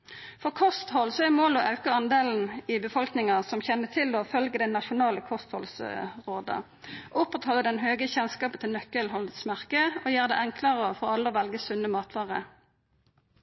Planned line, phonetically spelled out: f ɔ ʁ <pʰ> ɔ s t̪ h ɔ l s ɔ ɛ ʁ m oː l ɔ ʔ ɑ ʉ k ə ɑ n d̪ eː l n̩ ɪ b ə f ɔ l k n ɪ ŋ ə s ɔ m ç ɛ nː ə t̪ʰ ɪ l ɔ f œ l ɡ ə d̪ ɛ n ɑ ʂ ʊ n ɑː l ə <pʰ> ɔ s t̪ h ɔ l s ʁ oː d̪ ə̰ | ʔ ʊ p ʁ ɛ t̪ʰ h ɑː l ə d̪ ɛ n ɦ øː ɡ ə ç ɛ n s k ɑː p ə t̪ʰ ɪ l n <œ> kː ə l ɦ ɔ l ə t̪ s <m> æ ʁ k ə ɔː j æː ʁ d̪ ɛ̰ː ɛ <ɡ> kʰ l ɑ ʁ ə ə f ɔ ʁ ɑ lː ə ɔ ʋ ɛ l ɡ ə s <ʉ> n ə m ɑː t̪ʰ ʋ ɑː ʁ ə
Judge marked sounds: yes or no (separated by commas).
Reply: no, no, yes, yes, no, yes